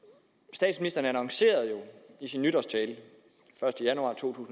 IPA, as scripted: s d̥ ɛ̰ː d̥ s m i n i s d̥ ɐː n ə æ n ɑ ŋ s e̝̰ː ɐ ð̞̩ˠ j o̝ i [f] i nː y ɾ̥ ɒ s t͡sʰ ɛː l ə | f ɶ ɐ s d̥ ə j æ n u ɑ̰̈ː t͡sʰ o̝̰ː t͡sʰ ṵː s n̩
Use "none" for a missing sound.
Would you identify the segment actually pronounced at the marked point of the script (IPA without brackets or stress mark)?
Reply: s